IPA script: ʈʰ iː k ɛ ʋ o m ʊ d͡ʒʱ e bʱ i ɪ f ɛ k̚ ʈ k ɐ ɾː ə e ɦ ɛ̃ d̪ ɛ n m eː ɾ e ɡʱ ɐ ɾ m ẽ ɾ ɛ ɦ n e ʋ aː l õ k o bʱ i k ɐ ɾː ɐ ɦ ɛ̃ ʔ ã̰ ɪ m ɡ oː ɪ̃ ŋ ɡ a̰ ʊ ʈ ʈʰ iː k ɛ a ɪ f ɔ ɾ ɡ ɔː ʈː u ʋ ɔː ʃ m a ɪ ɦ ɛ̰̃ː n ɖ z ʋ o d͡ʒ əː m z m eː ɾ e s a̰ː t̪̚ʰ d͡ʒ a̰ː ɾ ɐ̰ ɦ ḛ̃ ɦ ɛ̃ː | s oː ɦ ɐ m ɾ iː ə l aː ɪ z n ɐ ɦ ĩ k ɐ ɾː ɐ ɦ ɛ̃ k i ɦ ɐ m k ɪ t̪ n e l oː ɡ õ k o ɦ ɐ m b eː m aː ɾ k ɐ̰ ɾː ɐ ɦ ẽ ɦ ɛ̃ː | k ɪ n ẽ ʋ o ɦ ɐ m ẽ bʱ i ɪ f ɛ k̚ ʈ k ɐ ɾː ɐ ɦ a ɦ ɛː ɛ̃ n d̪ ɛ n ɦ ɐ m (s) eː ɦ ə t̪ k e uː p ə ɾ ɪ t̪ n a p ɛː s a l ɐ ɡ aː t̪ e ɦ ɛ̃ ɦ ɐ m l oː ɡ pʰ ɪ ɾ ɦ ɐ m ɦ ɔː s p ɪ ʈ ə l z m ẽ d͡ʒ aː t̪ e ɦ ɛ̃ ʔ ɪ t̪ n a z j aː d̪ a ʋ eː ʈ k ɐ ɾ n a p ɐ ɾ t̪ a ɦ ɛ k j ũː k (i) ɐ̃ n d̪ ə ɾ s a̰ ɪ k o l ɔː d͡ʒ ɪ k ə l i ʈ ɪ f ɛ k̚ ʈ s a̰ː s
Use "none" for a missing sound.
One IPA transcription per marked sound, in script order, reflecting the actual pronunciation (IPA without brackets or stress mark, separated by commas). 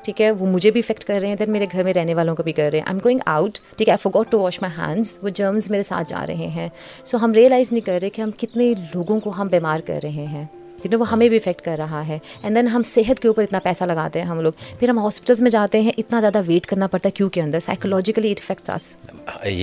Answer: s, e